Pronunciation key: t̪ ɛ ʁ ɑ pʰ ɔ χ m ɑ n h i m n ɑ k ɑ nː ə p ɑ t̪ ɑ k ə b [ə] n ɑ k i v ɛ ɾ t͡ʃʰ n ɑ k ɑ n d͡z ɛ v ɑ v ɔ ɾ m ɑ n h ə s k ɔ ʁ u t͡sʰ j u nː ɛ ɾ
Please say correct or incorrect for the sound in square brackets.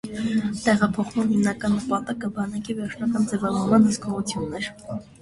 incorrect